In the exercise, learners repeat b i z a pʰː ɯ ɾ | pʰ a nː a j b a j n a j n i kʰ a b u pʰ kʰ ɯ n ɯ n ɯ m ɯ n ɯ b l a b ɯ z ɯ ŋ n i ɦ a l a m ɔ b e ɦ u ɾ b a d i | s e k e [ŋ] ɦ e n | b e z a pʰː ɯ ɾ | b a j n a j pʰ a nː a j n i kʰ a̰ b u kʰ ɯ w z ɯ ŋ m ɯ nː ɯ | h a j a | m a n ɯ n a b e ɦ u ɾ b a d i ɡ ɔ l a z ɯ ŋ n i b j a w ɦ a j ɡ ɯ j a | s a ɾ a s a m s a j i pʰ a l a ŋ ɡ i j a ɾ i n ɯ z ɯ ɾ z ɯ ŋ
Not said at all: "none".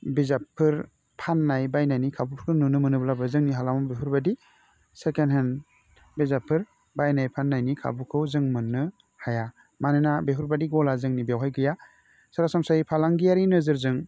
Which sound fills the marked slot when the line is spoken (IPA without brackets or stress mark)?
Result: n